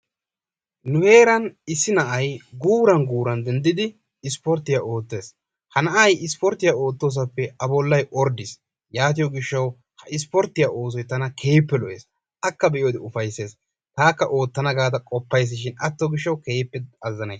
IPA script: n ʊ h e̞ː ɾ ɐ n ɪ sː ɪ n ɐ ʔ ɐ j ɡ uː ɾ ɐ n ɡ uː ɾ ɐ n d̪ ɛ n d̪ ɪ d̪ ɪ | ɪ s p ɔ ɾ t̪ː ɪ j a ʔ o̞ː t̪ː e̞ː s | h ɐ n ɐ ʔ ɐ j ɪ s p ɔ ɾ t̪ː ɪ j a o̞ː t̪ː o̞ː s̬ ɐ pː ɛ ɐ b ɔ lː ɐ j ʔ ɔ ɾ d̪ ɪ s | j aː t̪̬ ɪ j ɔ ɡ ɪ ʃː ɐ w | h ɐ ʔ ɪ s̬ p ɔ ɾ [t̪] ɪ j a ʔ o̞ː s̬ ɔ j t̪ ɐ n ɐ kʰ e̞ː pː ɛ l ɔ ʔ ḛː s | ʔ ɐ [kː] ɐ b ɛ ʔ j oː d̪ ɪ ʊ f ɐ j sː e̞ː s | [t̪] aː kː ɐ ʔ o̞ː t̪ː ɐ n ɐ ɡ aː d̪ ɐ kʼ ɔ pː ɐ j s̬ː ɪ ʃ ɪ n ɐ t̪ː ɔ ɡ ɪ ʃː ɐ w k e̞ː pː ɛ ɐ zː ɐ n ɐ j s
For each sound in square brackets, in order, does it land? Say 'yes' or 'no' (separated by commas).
yes, yes, yes